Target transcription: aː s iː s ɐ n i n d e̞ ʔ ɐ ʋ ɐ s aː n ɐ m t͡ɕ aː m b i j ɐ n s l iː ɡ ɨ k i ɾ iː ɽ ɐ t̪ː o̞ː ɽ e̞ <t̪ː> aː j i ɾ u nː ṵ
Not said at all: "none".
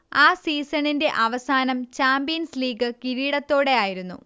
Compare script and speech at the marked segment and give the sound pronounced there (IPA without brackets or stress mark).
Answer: none